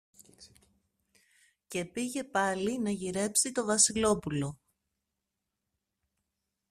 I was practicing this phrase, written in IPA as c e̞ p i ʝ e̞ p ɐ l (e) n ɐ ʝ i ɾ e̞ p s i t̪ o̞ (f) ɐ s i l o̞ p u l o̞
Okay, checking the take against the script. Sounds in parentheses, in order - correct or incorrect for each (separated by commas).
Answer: incorrect, incorrect